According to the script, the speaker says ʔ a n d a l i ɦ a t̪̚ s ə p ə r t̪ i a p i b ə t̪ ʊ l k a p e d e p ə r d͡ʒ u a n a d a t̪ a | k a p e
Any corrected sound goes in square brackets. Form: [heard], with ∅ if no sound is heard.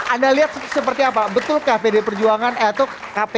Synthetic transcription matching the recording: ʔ a n d a l i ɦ a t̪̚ s ə p ə r t̪ i a p [a] b ə t̪ ʊ l k a p e d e p ə r d͡ʒ u a [ŋ] a [n] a t̪ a | k a p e